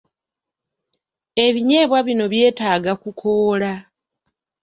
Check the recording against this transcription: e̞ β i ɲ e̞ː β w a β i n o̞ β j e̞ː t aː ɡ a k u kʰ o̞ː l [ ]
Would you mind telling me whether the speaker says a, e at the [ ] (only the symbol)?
a